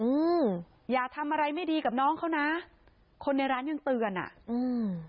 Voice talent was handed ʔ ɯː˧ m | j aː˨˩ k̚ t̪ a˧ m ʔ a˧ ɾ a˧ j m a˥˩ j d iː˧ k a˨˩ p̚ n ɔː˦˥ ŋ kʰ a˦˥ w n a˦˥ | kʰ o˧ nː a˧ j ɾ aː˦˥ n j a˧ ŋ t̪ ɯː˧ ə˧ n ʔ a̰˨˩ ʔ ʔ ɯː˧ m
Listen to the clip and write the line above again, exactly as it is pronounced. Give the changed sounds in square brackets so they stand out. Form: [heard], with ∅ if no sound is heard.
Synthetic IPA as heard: ʔ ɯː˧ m | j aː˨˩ k̚ [t̪ʰ] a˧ m ʔ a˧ ɾ a˧ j m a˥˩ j d iː˧ k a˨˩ p̚ n ɔː˦˥ ŋ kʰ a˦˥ w n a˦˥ | kʰ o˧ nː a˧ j ɾ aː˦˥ n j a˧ ŋ t̪ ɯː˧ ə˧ n ʔ a̰˨˩ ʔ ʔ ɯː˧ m